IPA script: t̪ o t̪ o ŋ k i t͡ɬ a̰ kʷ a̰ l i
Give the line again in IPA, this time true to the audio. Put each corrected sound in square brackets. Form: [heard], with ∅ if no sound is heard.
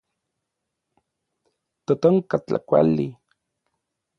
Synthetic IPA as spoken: t̪ o t̪ o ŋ k [a] t͡ɬ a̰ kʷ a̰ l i